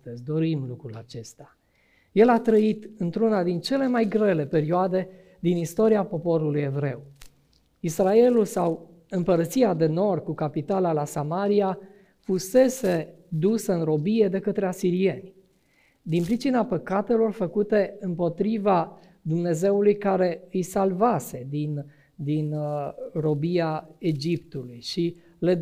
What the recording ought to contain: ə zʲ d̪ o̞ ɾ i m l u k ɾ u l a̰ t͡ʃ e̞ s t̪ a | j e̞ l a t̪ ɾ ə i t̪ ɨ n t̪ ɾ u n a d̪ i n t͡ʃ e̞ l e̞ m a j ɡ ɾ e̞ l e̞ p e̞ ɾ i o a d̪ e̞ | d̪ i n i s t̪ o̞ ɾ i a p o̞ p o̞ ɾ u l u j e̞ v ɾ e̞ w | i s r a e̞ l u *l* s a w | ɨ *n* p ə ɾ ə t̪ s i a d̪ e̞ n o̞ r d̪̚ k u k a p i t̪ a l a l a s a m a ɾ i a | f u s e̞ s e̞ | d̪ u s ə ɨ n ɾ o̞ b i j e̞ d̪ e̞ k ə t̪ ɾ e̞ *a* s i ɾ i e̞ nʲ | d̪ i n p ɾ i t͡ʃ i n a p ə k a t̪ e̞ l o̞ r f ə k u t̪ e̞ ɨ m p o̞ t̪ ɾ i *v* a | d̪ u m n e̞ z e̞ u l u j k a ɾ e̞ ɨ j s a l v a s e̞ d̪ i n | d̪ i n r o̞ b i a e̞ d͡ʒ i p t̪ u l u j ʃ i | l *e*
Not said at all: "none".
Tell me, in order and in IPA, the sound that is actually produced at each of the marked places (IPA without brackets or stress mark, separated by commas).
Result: l, m, a, v, e